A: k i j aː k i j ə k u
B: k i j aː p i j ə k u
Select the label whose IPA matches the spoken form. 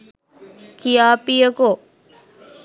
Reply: B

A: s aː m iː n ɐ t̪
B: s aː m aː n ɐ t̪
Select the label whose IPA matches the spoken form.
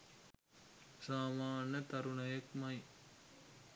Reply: B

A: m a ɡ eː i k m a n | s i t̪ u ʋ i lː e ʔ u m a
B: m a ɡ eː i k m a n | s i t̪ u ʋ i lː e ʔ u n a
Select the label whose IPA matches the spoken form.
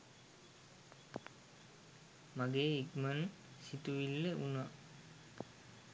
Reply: B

